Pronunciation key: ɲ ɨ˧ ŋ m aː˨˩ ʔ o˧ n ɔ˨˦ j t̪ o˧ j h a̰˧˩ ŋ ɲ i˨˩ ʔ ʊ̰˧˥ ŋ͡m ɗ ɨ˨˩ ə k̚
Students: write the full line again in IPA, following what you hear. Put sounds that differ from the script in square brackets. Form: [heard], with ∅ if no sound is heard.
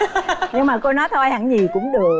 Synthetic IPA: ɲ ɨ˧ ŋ m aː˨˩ [k] o˧ n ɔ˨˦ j [t̪ʰ] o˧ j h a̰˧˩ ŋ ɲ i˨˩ [k] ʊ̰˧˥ ŋ͡m ɗ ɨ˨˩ ə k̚